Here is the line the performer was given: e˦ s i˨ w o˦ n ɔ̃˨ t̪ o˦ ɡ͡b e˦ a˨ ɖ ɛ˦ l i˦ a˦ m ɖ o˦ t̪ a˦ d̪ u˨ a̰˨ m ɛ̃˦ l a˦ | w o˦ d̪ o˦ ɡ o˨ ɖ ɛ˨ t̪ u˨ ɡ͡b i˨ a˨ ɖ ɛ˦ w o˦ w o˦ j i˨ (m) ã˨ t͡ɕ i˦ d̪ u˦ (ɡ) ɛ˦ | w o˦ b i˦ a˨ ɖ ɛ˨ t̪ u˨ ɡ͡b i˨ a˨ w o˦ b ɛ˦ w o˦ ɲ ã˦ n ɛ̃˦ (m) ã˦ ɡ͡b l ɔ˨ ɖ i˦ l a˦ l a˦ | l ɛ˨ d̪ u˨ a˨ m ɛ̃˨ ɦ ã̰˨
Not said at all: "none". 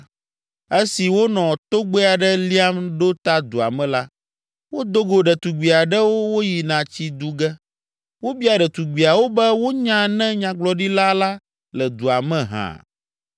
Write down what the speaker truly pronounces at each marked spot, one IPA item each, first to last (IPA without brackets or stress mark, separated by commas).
n, ɡ, ɲ